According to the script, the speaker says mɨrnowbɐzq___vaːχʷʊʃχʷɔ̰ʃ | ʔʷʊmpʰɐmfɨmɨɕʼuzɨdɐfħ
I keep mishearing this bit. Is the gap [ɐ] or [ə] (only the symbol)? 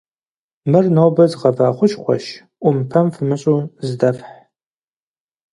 ɐ